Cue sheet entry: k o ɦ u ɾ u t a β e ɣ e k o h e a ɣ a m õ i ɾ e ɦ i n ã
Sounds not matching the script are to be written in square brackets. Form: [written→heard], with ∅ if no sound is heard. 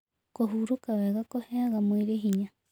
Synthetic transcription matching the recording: k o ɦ u ɾ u [t→k] a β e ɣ [e→a] k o h e a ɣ a m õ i ɾ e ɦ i [n→ɲ] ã